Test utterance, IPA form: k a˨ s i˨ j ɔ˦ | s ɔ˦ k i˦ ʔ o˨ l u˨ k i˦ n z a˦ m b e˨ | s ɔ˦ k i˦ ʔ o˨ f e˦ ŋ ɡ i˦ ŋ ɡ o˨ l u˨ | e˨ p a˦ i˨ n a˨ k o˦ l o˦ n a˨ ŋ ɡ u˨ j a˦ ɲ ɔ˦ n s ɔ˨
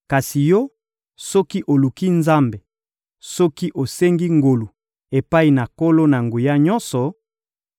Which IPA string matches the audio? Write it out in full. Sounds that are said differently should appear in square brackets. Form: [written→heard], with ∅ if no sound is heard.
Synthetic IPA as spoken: k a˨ s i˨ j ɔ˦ | s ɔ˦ k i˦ ʔ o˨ l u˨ k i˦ n z a˦ m b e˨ | s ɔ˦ k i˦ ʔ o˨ [f→s] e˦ ŋ ɡ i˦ ŋ ɡ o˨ l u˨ | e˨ p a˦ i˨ n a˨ k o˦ l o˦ n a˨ ŋ ɡ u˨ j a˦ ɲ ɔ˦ n s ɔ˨